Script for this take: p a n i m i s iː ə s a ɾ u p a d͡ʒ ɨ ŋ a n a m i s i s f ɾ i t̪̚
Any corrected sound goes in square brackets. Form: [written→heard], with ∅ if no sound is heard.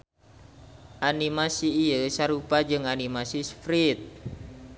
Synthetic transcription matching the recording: [p→ʔ] a n i m [i→a] s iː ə s a ɾ u p a d͡ʒ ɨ ŋ a n [a→i] m [i→a] s i s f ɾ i t̪̚